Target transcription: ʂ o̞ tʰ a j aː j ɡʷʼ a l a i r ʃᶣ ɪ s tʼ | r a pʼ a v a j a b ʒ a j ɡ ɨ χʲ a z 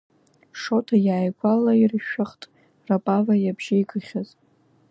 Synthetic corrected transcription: ʂ o̞ tʰ a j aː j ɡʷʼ a l a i r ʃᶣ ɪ χ tʼ | r a pʼ a v a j a b ʒ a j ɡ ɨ χʲ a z